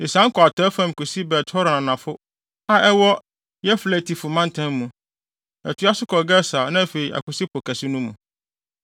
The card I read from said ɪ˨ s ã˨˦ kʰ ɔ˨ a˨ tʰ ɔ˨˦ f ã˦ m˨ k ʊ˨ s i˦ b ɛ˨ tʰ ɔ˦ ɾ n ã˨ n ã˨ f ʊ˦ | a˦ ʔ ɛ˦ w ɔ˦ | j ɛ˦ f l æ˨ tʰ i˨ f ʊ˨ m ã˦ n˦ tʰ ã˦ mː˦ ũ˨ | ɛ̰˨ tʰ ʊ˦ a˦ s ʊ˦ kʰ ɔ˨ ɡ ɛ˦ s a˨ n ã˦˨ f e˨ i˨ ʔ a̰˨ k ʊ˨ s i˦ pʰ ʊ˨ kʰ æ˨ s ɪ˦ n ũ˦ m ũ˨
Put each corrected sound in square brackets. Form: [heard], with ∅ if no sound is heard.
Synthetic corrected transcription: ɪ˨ s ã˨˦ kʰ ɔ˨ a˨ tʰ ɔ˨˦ f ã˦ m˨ k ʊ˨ s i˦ b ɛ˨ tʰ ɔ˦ ɾ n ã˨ n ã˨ f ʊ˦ | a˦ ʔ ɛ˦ w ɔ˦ | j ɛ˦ f l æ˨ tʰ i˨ f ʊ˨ m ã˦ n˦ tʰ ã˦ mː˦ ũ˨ | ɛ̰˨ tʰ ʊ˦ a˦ s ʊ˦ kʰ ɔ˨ ɡ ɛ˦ s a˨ n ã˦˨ f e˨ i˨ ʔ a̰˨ k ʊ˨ s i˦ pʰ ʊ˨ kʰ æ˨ s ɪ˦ n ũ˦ m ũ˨